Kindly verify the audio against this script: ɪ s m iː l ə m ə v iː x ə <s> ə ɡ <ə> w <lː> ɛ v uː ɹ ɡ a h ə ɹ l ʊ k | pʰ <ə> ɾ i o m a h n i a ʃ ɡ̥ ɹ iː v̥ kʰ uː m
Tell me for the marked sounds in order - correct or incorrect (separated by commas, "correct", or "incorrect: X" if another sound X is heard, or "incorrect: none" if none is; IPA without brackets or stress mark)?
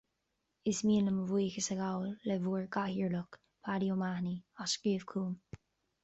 correct, incorrect: a, correct, incorrect: a